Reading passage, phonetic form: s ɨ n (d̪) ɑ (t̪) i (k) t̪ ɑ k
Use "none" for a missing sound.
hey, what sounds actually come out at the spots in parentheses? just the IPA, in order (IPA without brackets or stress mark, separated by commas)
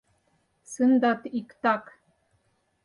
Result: d̪, t̪, k